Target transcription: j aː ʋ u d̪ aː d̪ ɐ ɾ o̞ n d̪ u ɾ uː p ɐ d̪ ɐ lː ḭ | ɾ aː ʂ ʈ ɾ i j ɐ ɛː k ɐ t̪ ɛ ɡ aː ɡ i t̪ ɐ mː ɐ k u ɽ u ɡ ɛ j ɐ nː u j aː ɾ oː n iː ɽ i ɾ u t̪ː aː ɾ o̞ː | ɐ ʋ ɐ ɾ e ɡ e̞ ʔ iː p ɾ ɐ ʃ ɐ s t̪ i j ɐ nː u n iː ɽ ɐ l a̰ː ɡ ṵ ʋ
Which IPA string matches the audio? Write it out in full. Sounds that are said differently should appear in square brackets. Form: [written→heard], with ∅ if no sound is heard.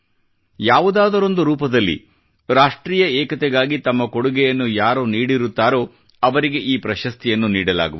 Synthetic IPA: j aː ʋ u d̪ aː d̪ ɐ ɾ o̞ n d̪ u ɾ uː p ɐ d̪ ɐ lː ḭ | ɾ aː ʂ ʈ ɾ [i→iː] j ɐ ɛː k ɐ t̪ ɛ ɡ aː ɡ i t̪ ɐ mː ɐ k [u→o] ɽ u ɡ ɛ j ɐ nː u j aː ɾ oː n iː ɽ i ɾ u t̪ː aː ɾ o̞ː | ɐ ʋ ɐ ɾ [e→i] ɡ e̞ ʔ iː p ɾ ɐ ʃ ɐ s t̪ i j ɐ nː u n iː ɽ ɐ l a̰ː ɡ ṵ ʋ